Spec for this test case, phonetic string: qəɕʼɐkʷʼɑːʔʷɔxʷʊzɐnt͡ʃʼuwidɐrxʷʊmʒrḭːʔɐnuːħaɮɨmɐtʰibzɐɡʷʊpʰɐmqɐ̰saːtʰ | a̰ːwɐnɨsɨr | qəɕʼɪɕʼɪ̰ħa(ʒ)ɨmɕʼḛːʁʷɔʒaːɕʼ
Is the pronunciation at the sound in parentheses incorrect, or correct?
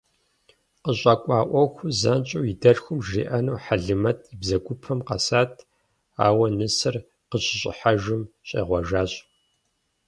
correct